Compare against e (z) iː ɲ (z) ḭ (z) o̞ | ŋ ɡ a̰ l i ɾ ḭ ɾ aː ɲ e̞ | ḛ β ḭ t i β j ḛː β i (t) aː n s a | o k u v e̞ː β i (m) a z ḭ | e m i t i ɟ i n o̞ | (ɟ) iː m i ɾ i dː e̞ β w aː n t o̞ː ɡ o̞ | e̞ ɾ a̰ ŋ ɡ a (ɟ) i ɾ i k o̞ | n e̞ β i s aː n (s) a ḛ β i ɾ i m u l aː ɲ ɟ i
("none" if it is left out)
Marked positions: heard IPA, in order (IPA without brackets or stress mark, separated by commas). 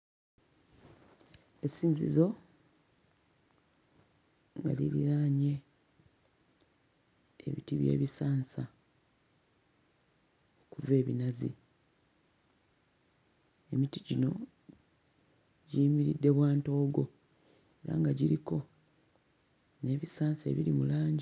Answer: s, z, z, s, n, ɟ, ɟ, s